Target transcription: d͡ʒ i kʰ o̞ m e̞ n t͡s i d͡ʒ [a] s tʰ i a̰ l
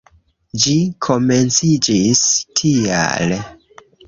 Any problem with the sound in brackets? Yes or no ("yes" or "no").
yes